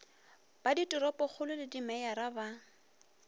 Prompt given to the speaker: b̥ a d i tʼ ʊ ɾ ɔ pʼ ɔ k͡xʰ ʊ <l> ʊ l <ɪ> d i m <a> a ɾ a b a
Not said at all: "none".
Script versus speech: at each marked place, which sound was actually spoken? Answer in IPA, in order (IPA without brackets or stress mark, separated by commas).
l, ɪ, ɛ